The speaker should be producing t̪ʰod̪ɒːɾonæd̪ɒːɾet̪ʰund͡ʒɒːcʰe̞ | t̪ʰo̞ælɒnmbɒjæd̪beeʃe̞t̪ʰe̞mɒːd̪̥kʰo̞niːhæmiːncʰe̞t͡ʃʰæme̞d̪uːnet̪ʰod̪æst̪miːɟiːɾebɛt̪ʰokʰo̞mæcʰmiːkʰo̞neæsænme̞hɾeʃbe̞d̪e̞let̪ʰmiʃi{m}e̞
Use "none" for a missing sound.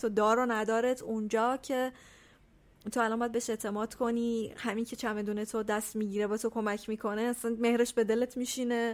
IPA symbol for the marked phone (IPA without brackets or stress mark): n